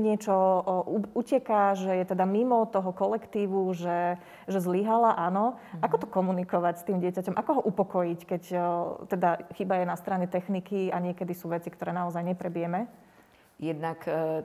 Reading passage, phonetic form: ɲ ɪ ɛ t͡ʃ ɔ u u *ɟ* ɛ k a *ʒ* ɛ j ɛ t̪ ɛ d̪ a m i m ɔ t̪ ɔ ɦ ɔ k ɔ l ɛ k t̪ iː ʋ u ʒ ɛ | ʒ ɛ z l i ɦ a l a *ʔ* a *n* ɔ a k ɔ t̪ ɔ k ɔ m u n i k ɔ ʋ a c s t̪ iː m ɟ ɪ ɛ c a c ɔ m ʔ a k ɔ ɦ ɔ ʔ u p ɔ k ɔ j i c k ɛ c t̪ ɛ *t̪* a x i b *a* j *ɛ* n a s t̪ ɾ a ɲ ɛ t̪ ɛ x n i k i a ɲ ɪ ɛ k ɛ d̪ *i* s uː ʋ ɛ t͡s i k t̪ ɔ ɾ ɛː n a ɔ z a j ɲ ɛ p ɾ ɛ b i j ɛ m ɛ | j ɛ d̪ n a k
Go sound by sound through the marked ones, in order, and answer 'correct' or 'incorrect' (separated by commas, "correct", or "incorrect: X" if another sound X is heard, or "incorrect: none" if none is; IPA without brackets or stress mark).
incorrect: c, correct, correct, correct, incorrect: d̪, correct, correct, correct